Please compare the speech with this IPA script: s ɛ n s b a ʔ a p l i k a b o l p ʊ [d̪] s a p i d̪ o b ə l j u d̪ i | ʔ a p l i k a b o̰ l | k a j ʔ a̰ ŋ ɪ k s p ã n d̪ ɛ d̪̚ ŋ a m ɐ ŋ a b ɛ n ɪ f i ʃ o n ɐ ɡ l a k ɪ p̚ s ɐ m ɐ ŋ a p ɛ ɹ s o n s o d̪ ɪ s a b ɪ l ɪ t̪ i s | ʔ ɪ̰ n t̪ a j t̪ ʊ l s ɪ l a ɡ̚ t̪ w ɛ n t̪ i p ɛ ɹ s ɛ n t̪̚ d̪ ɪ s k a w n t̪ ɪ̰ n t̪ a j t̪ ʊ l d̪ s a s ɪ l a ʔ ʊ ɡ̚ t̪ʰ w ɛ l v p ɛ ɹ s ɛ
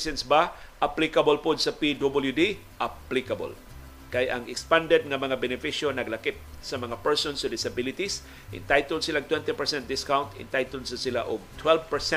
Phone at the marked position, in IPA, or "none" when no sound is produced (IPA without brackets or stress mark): d̪